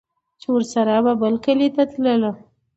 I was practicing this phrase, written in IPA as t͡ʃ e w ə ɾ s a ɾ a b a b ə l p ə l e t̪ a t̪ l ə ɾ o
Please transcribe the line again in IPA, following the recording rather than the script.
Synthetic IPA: t͡ʃ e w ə ɾ s a ɾ a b a b ə l k ə l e t̪ a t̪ l ə l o